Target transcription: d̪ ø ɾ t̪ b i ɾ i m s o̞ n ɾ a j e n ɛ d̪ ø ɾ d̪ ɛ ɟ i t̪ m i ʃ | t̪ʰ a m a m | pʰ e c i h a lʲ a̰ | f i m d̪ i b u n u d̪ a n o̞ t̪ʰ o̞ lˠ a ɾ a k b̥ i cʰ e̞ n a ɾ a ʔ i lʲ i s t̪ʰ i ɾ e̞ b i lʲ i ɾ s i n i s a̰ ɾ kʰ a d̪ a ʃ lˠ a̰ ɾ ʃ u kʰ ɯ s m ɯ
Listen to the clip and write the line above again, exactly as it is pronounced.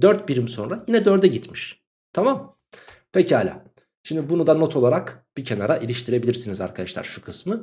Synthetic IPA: d̪ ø ɾ t̪ b i ɾ i m s o̞ n ɾ a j i n ɛ d̪ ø ɾ d̪ ɛ ɟ i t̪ m i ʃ | t̪ʰ a m a m | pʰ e c i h a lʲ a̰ | ʃ i m d̪ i b u n u d̪ a n o̞ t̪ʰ o̞ lˠ a ɾ a k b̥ i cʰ e̞ n a ɾ a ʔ i lʲ i ʃ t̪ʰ i ɾ e̞ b i lʲ i ɾ s i n i z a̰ ɾ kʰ a d̪ a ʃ lˠ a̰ ɾ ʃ u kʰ ɯ s m ɯ